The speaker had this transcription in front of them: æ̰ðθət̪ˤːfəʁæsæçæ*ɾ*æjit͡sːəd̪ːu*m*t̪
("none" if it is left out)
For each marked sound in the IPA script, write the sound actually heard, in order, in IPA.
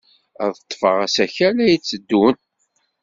l, n

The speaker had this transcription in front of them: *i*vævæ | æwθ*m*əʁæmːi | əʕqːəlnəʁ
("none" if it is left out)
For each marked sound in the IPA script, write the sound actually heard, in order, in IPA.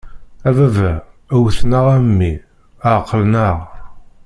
æ, n

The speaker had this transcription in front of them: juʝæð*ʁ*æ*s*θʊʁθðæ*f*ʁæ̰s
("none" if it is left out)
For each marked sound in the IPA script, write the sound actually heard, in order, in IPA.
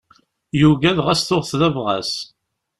ʁ, s, v

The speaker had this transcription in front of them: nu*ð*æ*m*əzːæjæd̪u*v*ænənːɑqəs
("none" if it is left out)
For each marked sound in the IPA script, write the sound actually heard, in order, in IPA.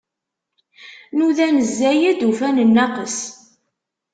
ð, n, f

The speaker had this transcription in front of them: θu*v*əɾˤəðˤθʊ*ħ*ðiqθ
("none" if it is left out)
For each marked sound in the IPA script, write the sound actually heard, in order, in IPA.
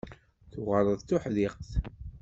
ʁ, ħ

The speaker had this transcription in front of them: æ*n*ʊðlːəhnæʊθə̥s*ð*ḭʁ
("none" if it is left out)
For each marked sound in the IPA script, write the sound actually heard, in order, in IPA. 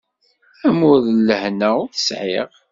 m, ʕ

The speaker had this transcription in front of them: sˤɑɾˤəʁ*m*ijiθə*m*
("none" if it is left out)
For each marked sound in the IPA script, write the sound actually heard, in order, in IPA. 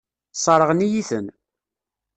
n, n

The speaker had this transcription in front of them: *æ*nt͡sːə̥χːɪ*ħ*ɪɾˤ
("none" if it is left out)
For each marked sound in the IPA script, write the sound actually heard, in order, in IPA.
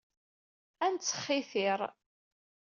æ, θ

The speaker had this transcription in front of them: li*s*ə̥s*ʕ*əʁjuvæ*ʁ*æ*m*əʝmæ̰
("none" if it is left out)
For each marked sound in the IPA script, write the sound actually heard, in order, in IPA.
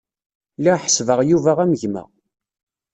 ħ, v, ʁ, m

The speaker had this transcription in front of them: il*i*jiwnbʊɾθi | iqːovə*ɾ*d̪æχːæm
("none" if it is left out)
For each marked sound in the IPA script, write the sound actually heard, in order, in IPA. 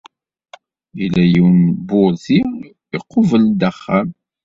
æ, l

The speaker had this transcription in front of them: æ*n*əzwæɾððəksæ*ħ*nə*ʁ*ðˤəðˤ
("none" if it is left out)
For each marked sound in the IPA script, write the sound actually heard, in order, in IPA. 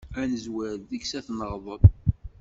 n, θ, ʁ

